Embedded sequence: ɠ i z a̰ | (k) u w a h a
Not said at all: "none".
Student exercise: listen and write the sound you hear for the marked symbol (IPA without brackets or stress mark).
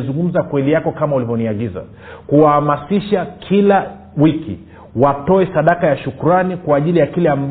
k